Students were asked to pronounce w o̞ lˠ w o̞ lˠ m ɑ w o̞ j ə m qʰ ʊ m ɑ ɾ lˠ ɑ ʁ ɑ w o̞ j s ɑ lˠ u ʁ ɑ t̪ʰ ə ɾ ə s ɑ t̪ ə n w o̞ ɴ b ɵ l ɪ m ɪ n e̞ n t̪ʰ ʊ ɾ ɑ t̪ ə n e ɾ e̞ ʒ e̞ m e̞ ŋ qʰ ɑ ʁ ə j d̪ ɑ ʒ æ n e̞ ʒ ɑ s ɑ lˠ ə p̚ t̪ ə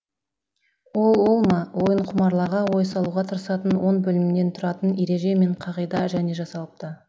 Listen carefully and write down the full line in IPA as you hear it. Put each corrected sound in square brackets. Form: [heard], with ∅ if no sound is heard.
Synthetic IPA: w o̞ lˠ w o̞ lˠ m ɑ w o̞ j ə [ɴ] qʰ ʊ m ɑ ɾ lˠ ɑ ʁ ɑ w o̞ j s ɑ lˠ u ʁ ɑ t̪ʰ ə ɾ ə s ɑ t̪ ə n w o̞ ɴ b ɵ l ɪ m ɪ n e̞ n t̪ʰ ʊ ɾ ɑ t̪ ə n e ɾ e̞ ʒ e̞ m e̞ [ɴ] qʰ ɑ ʁ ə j d̪ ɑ ʒ æ n e̞ ʒ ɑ s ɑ lˠ ə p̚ t̪ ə